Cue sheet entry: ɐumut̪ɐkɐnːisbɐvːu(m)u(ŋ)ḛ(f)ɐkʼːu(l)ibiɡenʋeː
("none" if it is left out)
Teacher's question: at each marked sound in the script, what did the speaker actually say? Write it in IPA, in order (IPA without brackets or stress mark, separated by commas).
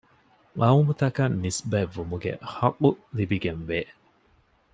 m, ɡ, h, l